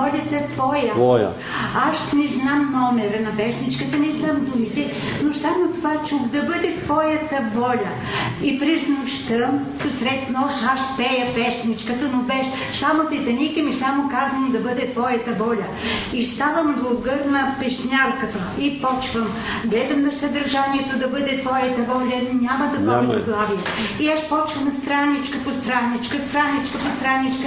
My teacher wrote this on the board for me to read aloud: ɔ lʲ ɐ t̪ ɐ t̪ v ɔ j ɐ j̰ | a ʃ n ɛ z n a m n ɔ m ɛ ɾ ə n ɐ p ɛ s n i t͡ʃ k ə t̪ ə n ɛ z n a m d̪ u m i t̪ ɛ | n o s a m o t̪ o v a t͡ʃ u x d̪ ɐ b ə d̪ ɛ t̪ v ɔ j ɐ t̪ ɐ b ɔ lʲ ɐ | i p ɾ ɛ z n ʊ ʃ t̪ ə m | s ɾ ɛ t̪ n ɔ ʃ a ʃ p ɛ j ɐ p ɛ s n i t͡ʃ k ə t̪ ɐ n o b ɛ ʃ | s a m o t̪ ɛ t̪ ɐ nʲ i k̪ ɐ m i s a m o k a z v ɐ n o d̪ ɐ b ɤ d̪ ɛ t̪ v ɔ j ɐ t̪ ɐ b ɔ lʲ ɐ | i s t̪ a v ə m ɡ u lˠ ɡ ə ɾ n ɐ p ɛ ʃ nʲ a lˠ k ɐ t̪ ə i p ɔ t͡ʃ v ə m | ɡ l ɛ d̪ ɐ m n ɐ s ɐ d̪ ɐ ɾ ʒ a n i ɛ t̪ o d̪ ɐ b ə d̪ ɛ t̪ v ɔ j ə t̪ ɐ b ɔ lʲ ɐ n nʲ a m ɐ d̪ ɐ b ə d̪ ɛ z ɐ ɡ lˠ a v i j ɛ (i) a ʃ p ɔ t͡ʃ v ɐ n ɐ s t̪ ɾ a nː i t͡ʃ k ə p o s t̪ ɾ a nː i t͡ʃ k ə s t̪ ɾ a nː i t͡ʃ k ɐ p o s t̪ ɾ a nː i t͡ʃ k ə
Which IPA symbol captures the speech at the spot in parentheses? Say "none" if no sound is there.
i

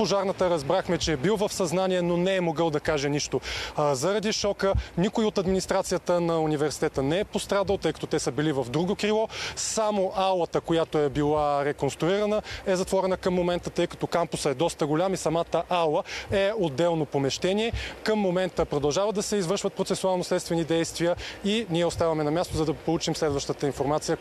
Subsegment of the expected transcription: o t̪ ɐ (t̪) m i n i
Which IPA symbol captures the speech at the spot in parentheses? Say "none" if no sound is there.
d̪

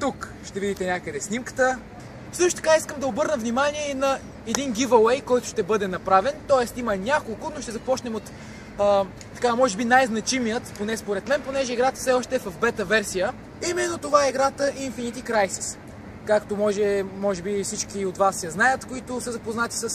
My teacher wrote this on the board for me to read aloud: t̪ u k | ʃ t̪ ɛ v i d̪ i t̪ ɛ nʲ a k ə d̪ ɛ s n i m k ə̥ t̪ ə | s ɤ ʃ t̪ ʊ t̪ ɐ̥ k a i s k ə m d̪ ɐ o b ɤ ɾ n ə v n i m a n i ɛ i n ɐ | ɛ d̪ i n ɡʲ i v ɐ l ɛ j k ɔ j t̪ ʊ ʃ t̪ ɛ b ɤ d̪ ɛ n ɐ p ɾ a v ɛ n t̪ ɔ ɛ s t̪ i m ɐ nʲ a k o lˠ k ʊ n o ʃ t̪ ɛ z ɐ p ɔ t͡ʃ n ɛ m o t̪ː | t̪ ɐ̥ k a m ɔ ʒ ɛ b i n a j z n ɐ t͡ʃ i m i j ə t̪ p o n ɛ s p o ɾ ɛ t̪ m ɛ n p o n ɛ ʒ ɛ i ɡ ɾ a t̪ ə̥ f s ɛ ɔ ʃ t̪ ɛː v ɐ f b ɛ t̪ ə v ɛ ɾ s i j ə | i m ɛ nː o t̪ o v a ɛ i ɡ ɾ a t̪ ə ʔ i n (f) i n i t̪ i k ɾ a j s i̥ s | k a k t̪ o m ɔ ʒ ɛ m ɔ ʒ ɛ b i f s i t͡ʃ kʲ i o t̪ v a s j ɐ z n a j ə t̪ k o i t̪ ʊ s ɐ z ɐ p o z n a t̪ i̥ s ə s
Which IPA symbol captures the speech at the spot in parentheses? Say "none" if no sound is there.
f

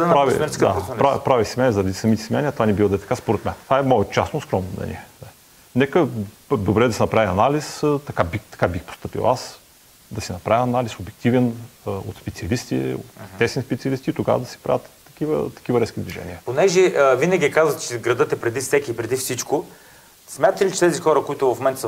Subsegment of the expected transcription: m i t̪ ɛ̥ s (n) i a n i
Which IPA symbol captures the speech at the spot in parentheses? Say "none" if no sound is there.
m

